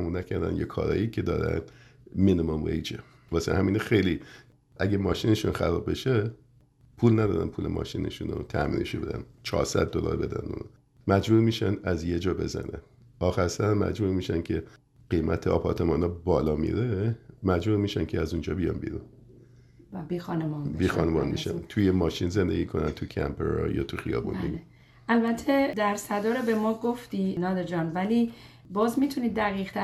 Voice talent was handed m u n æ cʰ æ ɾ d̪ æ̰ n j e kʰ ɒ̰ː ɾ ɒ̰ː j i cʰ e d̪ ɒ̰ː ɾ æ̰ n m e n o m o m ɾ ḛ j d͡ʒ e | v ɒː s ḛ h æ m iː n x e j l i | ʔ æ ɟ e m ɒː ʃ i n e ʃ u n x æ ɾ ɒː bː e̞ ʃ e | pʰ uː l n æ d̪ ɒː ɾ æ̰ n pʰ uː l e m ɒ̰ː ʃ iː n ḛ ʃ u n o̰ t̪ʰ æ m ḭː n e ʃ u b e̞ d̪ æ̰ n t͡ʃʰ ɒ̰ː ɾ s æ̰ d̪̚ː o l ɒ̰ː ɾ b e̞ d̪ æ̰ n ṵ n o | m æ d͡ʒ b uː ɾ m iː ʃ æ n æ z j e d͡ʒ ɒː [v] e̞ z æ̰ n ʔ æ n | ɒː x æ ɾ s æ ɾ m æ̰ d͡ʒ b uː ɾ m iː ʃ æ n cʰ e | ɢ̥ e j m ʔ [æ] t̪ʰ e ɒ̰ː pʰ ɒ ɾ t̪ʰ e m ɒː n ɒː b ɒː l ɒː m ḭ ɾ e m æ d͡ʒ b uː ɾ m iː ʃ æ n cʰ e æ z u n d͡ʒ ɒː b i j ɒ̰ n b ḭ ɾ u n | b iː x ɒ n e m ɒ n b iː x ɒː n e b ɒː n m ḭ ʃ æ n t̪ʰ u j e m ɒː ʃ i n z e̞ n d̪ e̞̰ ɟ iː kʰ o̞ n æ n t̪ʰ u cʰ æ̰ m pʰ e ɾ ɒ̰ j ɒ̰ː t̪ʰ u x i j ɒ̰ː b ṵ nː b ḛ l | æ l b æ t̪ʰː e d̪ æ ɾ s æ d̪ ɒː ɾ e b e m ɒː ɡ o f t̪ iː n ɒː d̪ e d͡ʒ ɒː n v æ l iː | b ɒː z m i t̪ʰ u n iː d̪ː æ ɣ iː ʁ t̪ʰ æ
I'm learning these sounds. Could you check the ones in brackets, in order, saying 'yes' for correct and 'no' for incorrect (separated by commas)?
no, yes